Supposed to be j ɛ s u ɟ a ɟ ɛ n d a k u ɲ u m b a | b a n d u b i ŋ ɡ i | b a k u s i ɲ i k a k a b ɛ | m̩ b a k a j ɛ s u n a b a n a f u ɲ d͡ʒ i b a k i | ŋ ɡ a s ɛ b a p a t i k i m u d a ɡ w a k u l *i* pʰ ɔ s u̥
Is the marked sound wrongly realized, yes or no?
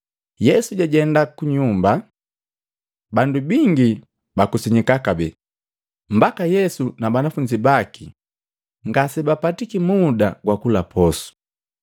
yes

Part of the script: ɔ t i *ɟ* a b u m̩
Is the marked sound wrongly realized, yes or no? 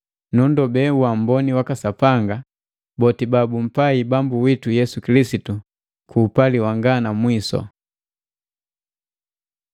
yes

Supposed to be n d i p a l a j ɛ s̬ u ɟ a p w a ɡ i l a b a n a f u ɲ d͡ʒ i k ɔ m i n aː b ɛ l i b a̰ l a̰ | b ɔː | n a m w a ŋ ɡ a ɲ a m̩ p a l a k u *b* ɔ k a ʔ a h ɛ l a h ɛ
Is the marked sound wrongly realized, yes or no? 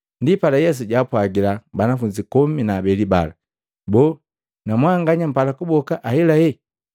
no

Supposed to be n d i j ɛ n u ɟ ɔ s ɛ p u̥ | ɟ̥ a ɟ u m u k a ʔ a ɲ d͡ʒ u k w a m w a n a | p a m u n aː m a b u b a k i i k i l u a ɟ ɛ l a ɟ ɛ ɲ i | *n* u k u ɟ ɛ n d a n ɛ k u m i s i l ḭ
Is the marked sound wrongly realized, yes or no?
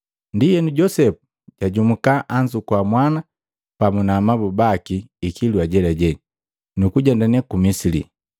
no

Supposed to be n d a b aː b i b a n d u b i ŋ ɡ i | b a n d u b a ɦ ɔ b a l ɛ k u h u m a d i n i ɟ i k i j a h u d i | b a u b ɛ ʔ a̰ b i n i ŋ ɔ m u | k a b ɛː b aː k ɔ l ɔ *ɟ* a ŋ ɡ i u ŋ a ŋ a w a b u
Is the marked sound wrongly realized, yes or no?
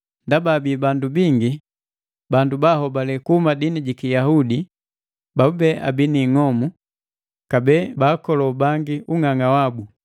yes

